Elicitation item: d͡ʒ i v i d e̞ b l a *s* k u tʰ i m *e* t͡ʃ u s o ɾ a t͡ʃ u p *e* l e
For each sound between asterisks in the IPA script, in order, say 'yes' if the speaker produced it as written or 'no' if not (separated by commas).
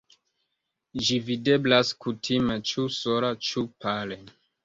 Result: yes, yes, no